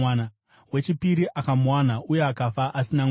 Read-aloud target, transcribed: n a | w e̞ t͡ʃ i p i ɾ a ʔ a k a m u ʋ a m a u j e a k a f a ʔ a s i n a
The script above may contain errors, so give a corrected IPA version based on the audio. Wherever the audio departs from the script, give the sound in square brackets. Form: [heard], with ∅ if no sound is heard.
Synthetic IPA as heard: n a | w e̞ t͡ʃ i p i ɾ [i] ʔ a k a m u [w] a [n] a u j e a k a f a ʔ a s i n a